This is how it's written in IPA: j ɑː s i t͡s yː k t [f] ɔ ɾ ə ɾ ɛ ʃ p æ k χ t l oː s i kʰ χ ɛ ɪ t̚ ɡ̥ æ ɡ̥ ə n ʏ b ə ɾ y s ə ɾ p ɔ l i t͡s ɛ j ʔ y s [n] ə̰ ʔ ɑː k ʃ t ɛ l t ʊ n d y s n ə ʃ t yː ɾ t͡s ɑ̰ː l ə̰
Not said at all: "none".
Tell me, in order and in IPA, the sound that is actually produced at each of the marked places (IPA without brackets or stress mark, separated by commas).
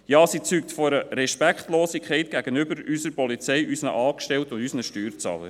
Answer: f, n